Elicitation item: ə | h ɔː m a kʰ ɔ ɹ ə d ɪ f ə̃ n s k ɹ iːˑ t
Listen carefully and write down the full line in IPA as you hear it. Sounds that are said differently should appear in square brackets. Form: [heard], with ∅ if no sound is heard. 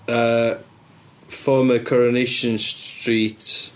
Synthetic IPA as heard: ə | [f] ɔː m [ə] kʰ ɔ ɹ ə [n] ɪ [ʃ] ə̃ n s [t] ɹ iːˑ t